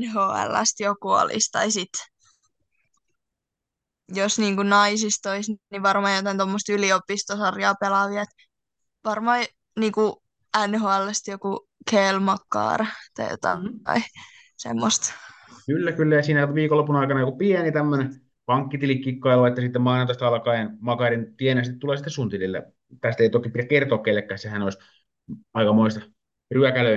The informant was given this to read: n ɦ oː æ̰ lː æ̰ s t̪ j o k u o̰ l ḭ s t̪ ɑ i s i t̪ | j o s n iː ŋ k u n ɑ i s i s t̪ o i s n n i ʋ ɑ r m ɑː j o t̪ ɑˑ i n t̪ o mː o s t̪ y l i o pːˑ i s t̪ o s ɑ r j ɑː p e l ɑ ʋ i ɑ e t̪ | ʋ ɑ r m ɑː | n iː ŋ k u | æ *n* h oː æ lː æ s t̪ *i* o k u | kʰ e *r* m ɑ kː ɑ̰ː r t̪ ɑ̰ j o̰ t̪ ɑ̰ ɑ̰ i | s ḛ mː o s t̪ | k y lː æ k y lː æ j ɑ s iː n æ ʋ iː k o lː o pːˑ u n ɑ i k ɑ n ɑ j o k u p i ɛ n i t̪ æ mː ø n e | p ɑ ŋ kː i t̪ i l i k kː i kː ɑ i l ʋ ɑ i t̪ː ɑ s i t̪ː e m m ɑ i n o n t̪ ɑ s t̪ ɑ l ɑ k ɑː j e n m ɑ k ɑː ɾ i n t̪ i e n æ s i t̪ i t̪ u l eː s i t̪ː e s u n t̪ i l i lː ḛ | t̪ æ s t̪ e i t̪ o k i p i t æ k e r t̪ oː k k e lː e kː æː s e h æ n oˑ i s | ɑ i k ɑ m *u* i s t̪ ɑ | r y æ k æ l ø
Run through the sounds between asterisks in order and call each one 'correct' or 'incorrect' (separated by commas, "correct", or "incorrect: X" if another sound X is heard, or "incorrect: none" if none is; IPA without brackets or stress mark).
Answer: correct, incorrect: j, incorrect: l, incorrect: o